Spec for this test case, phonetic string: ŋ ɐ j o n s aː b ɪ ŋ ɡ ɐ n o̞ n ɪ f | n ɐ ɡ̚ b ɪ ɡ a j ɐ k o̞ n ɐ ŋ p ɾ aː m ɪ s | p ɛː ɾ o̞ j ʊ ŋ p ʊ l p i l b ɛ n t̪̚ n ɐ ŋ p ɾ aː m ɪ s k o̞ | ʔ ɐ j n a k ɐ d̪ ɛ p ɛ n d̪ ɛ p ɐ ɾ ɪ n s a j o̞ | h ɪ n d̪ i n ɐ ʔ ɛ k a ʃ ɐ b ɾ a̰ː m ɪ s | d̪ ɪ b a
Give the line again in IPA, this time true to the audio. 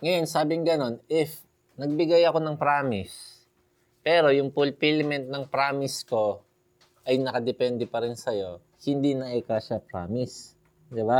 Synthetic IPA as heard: ŋ ɐ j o n s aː b ɪ ŋ ɡ ɐ n o̞ n ɪ f | n ɐ ɡ̚ b ɪ ɡ a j ɐ k o̞ n ɐ ŋ p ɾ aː m ɪ s | p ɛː ɾ o̞ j ʊ ŋ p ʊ l p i l m ɛ n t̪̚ n ɐ ŋ p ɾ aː m ɪ s k o̞ | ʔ ɐ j n ɐ k ɐ d̪ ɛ p ɛ n d̪ ɛ p ɐ ɾ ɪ n s ɐ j o̞ | h ɪ n d̪ i n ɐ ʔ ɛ k a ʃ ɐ p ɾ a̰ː m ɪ s | d̪ ɪ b a